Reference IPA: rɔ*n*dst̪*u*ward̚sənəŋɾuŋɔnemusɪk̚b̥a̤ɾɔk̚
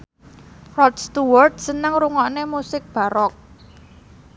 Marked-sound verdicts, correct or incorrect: incorrect, correct

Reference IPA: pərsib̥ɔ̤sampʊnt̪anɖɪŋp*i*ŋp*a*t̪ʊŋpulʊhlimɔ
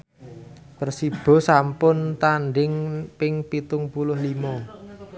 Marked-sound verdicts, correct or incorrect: incorrect, incorrect

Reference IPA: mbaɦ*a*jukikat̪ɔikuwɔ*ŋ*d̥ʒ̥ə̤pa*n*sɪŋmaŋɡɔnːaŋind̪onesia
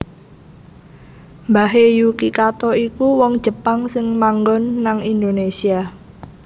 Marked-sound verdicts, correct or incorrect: incorrect, correct, incorrect

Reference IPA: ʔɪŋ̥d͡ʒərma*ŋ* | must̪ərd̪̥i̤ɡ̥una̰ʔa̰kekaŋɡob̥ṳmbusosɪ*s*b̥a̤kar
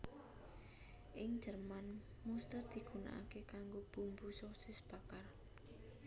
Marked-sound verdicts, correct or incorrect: incorrect, correct

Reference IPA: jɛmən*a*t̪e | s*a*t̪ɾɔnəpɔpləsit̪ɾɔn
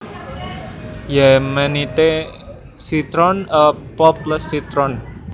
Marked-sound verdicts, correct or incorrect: incorrect, incorrect

